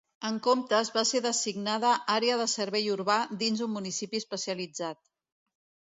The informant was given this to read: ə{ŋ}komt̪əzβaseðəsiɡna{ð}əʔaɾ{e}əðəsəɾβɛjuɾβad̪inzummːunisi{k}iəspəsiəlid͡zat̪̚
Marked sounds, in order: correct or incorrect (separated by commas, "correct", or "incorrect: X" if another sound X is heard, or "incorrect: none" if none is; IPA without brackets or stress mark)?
correct, correct, correct, incorrect: p